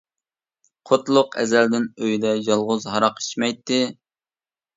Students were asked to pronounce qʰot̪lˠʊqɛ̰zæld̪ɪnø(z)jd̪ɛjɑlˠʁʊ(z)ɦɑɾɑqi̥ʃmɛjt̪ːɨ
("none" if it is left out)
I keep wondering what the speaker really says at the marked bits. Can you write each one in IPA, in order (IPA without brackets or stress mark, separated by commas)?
none, z